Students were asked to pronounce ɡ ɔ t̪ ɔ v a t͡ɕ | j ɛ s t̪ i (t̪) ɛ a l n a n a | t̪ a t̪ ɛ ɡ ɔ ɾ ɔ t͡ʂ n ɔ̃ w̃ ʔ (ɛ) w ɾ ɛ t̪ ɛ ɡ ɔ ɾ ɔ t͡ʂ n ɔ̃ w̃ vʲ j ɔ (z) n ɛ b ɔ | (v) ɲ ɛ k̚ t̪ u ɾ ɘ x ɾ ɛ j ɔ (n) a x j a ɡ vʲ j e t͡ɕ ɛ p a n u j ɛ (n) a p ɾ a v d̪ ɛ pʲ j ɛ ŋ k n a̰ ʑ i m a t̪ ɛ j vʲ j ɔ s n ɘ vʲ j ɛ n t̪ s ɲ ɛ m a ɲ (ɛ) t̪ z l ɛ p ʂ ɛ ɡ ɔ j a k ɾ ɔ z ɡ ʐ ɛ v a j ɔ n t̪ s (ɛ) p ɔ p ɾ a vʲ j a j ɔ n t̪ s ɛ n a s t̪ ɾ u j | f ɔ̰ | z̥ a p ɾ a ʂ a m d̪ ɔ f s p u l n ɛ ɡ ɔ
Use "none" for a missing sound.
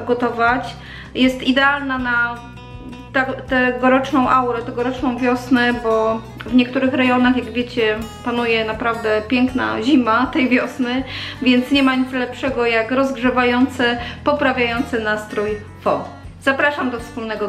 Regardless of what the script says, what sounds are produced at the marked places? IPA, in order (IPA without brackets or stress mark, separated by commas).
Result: d̪, a, s, v, n, n, i, ɛ